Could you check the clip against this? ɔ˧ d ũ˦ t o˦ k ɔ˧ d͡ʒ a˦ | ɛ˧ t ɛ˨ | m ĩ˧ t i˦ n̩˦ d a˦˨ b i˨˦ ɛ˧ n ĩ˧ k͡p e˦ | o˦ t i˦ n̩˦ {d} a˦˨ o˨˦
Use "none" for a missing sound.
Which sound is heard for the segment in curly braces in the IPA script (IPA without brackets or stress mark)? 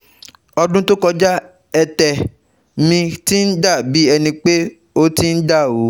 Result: d